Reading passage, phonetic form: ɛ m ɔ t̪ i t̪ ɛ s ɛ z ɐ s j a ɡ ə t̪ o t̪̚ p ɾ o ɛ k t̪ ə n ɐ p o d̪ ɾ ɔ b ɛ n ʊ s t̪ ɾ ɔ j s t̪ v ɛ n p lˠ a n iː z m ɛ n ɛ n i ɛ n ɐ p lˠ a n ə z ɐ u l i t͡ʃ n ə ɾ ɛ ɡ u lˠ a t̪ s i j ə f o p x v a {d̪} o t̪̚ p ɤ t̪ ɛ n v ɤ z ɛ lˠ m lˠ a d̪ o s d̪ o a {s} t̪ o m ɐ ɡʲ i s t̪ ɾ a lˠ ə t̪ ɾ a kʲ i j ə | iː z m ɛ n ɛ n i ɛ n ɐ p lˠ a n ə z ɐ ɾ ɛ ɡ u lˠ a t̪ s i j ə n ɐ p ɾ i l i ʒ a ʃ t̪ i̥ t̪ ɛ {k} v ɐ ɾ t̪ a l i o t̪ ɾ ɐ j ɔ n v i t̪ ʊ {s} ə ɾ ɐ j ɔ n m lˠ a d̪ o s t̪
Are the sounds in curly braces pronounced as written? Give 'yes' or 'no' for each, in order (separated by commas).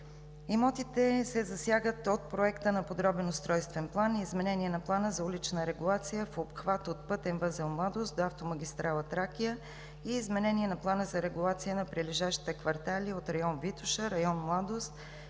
no, no, yes, no